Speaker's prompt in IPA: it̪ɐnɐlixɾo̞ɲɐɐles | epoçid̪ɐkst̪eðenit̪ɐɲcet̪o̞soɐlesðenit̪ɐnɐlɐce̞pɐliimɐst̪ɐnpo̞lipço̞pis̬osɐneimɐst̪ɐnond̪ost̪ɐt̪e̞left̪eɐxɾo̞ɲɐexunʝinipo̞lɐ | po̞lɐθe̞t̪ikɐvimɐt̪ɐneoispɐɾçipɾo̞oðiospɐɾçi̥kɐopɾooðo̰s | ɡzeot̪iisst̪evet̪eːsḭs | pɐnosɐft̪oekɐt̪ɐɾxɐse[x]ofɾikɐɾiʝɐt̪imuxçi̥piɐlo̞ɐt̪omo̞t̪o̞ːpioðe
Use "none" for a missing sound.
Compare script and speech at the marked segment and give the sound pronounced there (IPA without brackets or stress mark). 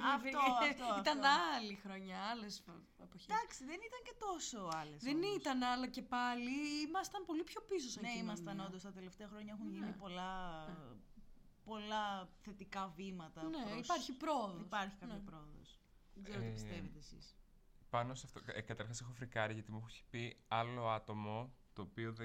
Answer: x